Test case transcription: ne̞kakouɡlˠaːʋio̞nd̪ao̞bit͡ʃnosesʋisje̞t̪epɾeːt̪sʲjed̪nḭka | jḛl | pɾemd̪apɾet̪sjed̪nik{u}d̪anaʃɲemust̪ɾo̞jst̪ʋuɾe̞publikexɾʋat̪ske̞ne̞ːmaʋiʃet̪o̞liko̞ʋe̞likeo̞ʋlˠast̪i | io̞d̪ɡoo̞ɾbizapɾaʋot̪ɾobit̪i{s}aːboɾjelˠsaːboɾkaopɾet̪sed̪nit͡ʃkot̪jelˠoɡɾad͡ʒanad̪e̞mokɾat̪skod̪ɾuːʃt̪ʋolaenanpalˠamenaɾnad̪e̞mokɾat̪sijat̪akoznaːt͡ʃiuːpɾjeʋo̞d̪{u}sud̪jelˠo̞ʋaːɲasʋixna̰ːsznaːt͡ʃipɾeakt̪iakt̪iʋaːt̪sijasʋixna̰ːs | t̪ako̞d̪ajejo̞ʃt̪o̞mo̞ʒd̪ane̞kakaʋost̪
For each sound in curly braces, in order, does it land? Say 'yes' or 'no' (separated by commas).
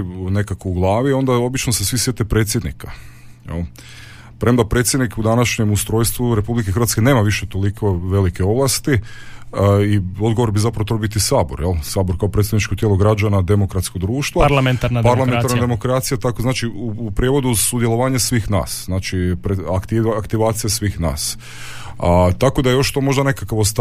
yes, yes, yes